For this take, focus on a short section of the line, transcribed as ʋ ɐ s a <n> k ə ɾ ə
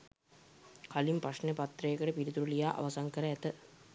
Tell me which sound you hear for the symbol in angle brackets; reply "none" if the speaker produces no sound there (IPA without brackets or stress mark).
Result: ŋ